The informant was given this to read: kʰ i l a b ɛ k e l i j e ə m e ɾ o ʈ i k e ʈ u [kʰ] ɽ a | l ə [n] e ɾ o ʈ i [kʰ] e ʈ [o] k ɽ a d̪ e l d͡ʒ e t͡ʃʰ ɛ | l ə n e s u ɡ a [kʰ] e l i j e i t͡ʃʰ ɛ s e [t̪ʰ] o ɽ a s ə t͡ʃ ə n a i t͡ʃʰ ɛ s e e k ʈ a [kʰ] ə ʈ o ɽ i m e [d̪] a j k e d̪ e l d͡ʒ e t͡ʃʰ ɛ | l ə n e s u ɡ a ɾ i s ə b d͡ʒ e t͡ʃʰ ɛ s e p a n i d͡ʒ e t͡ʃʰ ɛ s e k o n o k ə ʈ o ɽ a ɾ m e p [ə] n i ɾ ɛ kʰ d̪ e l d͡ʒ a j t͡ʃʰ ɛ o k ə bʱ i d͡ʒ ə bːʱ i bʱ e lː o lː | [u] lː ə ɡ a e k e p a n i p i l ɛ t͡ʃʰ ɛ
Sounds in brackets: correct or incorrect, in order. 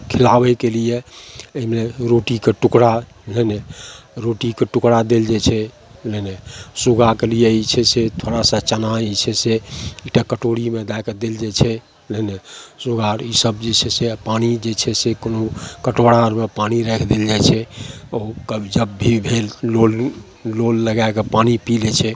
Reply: incorrect, correct, incorrect, incorrect, incorrect, correct, incorrect, correct, incorrect, incorrect

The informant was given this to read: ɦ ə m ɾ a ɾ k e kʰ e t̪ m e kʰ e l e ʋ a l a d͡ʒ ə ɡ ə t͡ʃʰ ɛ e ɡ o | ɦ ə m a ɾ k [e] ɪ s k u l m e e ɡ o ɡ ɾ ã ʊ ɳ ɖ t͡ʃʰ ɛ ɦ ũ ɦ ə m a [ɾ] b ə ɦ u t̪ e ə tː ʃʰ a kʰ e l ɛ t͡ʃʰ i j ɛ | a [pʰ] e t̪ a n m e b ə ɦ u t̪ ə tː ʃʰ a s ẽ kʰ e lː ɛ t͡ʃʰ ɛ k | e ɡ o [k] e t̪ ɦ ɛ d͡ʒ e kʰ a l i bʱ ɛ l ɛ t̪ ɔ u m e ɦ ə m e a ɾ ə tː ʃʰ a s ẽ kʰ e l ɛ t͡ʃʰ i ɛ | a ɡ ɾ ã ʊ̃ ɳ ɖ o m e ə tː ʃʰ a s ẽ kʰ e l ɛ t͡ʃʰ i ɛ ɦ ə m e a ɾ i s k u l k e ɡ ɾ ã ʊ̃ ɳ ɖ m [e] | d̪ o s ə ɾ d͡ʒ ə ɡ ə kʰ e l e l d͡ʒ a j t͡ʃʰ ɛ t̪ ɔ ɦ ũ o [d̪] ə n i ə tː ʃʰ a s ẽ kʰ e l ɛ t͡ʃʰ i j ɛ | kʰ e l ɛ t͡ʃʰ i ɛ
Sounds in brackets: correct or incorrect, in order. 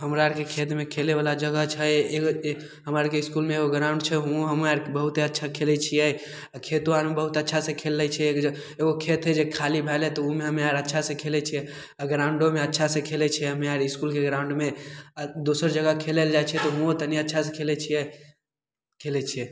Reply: correct, correct, incorrect, incorrect, correct, incorrect

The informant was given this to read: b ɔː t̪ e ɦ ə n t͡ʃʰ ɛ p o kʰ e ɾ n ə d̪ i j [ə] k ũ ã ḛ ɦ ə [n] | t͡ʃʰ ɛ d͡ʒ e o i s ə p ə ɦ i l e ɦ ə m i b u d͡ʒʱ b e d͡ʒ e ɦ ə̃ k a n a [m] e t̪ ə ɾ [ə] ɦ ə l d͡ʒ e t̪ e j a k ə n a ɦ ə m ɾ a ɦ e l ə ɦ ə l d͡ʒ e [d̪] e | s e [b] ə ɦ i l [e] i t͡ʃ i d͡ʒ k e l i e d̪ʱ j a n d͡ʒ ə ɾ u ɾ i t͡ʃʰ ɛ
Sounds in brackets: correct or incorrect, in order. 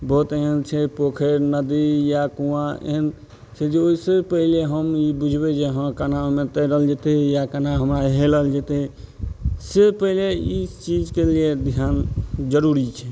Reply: incorrect, correct, correct, correct, incorrect, incorrect, correct

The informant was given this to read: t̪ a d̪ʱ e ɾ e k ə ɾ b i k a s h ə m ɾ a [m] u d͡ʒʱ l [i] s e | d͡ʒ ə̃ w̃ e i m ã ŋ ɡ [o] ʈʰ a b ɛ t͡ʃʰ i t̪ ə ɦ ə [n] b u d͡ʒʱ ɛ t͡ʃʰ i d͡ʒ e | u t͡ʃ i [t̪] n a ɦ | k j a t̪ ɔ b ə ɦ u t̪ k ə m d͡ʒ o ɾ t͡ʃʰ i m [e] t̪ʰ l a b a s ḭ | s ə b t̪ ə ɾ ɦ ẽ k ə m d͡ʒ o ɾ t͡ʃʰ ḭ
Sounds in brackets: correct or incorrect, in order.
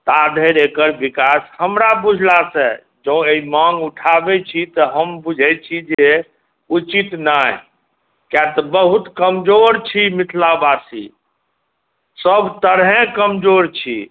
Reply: incorrect, incorrect, incorrect, incorrect, correct, incorrect

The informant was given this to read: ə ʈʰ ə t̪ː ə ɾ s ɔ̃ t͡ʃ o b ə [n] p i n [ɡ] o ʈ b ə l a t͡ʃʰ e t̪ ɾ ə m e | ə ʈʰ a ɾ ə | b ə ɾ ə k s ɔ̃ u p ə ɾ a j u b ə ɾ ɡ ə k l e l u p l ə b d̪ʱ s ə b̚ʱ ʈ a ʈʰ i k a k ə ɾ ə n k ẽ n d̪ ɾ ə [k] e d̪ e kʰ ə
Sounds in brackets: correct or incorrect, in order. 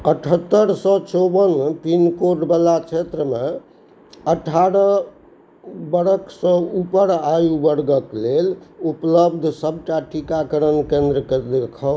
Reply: correct, incorrect, correct

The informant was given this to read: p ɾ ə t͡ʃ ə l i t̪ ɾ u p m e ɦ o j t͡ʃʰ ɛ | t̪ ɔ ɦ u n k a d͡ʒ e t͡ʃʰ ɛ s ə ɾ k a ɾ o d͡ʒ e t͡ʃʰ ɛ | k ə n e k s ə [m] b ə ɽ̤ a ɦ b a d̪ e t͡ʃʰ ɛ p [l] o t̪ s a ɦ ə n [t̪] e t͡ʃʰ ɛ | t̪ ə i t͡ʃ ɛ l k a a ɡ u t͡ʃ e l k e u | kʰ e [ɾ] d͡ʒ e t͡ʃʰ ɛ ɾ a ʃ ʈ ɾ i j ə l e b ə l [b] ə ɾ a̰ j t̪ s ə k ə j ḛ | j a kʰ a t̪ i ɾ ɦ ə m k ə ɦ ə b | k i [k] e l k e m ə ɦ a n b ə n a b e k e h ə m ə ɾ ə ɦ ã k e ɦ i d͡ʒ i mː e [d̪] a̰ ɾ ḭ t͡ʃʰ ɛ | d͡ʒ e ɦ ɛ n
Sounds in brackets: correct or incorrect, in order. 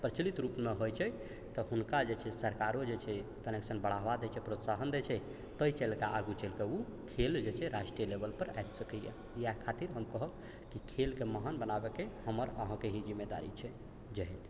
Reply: incorrect, incorrect, incorrect, incorrect, incorrect, incorrect, correct

